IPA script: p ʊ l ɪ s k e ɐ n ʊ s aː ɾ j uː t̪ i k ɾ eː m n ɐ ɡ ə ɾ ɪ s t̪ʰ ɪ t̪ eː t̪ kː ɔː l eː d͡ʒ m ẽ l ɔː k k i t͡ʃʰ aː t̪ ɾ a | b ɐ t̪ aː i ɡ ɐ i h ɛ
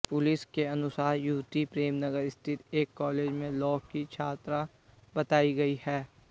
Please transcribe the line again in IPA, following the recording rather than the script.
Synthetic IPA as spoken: p ʊ l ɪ s k e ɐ n ʊ s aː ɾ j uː t̪ i p ɾ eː m n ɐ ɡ ə ɾ ɪ s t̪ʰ ɪ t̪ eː kː ɔː l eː d͡ʒ m ẽ l ɔː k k i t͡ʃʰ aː t̪ ɾ a | b ɐ t̪ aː i ɡ ɐ i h ɛː